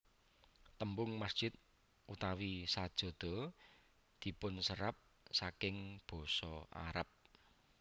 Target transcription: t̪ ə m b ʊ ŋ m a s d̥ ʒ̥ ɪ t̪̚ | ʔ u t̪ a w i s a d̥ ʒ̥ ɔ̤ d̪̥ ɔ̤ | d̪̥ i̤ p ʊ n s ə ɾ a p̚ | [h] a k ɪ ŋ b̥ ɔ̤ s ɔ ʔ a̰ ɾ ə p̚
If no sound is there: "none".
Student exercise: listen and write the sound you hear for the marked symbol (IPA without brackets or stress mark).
s